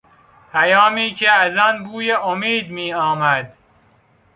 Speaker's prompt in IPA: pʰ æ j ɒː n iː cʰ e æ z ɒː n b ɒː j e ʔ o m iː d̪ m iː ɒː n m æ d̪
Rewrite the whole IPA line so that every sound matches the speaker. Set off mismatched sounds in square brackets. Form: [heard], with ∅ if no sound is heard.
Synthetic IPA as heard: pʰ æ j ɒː [m] iː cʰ e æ z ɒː n b [uː] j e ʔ o m iː d̪ m iː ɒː [∅] m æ d̪